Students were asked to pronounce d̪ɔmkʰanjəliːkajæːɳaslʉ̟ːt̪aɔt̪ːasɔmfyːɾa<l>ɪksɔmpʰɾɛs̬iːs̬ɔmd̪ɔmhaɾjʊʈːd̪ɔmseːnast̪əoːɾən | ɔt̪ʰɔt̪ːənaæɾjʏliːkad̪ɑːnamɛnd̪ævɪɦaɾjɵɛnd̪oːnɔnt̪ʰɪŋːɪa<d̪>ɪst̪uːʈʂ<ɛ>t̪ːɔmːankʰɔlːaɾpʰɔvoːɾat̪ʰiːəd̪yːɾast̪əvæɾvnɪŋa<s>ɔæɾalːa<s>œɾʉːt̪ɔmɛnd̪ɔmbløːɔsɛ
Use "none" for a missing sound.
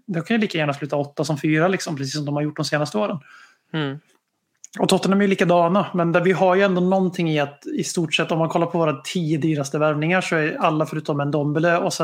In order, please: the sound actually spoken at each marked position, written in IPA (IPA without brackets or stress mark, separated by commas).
l, t̪, ɛ, ʂ, f